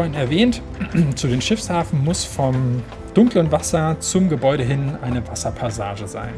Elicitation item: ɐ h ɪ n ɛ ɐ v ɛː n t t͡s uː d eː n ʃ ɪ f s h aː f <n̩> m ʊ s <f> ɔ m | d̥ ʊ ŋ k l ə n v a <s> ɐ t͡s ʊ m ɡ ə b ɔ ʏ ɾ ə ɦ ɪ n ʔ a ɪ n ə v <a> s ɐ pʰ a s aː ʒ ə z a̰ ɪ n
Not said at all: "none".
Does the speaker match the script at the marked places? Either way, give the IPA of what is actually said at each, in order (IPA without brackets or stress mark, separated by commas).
n̩, f, s, a